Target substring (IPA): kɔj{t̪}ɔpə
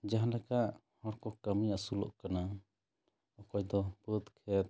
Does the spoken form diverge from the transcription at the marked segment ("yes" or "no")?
yes